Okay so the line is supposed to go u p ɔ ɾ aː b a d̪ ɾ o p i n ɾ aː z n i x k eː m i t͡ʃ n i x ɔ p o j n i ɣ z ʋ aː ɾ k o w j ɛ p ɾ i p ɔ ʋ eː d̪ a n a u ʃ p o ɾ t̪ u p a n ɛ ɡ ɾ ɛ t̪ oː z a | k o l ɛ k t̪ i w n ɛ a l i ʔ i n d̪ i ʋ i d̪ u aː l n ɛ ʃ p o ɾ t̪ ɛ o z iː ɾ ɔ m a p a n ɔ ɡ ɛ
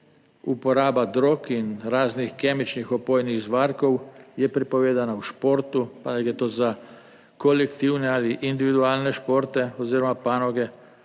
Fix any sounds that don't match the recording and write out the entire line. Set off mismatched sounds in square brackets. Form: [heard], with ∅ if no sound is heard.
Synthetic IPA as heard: u p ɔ ɾ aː b a d̪ ɾ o [k] i n ɾ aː z n i x k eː m i t͡ʃ n i x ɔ p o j n i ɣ z ʋ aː ɾ k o w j ɛ p ɾ i p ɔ ʋ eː d̪ a n a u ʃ p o ɾ t̪ u p a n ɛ ɡ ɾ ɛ t̪ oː z a | k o l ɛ k t̪ i w n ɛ a l i ʔ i n d̪ i ʋ i d̪ u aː l n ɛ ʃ p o ɾ t̪ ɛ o z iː ɾ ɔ m a p a n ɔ ɡ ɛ